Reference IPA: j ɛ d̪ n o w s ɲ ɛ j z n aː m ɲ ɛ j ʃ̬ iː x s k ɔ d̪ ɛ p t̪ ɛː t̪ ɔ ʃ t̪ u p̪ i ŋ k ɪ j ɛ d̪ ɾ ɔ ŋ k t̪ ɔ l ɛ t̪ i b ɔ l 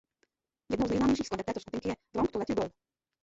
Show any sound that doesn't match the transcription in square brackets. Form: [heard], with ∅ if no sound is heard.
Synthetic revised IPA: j ɛ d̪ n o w [z] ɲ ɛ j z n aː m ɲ ɛ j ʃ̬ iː x s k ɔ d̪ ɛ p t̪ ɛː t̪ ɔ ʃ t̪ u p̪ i ŋ k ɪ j ɛ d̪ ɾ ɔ ŋ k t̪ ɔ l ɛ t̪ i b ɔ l

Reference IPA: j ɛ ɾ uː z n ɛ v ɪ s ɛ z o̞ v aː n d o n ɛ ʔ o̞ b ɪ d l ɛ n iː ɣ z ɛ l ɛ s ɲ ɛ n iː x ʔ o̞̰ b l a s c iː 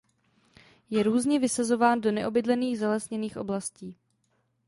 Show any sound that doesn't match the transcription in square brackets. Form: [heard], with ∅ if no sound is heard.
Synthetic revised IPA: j ɛ ɾ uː z [ɲ] ɛ v ɪ s [a] z o̞ v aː n d o n ɛ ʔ o̞ b ɪ d l ɛ n iː ɣ z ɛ l ɛ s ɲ ɛ n iː x ʔ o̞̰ b l a s c iː

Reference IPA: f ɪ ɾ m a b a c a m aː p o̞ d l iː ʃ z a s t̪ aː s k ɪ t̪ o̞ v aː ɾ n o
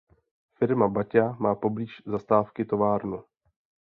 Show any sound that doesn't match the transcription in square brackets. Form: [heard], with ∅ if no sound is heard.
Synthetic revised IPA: f ɪ ɾ m a b a c a m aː p o̞ [b] l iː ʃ z a s t̪ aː [f] k ɪ t̪ o̞ v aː ɾ n [u]

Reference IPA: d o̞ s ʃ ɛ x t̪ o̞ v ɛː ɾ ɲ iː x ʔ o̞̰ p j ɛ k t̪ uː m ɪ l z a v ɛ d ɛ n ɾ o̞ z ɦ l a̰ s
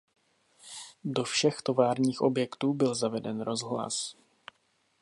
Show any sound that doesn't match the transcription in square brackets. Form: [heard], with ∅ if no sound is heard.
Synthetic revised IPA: d o̞ [f] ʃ ɛ x t̪ o̞ v [aː] ɾ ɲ iː x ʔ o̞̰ [b] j ɛ k t̪ uː [b] ɪ l z a v ɛ d ɛ n ɾ o̞ z ɦ l a̰ s

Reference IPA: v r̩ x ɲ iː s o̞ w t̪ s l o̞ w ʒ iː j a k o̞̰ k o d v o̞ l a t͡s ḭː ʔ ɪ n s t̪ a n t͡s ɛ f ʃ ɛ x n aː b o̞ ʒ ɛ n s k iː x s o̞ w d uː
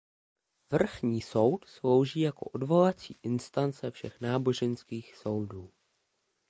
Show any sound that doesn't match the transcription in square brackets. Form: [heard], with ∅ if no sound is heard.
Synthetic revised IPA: v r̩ x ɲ iː s o̞ w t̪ s l o̞ w ʒ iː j a k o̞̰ [ʔ] o d v o̞ l a t͡s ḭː ʔ ɪ n s t̪ a n t͡s ɛ f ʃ ɛ x n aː b o̞ ʒ ɛ n s k iː x s o̞ w d uː

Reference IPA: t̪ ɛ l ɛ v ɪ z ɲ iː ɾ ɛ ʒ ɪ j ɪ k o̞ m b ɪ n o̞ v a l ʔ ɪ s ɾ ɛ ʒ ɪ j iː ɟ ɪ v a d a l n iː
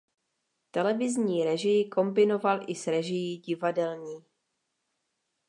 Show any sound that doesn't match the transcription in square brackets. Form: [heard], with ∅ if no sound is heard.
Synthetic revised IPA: t̪ ɛ l ɛ v ɪ z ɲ iː ɾ ɛ ʒ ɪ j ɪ k o̞ m b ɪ n o̞ v a l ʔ ɪ s ɾ ɛ ʒ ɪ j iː ɟ ɪ v a d [ɛ] l [ɲ] iː

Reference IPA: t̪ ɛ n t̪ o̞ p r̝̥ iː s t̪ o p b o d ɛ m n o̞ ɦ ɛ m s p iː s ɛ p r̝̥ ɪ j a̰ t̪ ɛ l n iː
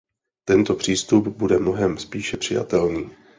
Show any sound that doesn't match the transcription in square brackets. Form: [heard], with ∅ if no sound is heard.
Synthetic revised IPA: t̪ ɛ n t̪ o̞ p r̝̥ iː s t̪ [u] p b [u] d ɛ m n o̞ ɦ ɛ m s p iː [ʃ] ɛ p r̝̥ ɪ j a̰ t̪ ɛ l n iː

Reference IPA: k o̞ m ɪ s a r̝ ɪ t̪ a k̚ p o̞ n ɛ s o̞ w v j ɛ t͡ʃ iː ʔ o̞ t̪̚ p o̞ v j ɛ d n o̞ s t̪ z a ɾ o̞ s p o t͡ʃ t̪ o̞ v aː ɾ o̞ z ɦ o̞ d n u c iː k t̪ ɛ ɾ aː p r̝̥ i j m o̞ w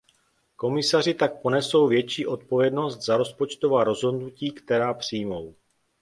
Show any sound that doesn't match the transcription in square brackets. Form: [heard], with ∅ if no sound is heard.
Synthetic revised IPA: k o̞ m ɪ s a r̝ ɪ t̪ a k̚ p o̞ n ɛ s o̞ w v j ɛ t͡ʃ iː ʔ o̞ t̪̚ p o̞ v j ɛ d n o̞ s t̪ z a ɾ o̞ s p o t͡ʃ t̪ o̞ v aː ɾ o̞ z ɦ o̞ d n u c iː k t̪ ɛ ɾ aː p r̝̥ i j m o̞ w

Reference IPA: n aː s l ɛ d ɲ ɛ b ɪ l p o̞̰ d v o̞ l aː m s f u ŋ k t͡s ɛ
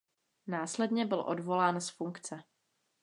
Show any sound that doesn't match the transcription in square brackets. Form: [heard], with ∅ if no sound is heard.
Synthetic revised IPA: n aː s l ɛ d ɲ ɛ b ɪ l [ʔ] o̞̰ d v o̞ l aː [n] s f u ŋ k t͡s ɛ

